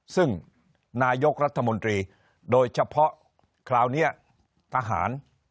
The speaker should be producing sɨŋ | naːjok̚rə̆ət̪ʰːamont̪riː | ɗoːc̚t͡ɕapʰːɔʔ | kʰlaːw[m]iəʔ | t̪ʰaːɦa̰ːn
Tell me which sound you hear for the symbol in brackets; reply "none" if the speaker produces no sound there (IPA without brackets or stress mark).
n